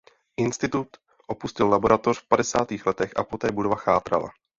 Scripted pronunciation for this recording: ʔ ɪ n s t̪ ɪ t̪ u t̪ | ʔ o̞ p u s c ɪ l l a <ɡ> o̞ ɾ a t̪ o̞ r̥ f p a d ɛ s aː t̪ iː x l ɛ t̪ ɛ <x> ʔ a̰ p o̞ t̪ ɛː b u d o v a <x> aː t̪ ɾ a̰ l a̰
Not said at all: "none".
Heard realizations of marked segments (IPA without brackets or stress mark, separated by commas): b, x, x